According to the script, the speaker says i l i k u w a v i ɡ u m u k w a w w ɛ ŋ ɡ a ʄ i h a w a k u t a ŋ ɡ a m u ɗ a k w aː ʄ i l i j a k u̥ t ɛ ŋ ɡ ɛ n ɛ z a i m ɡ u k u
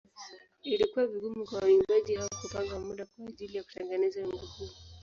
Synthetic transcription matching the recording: i l i k u w a v i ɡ u m u k w a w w i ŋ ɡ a ʄ i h a w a k u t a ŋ ɡ a m u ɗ a k w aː ʄ i l i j a k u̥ t ɛ ŋ ɡ ɛ n ɛ z a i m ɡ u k u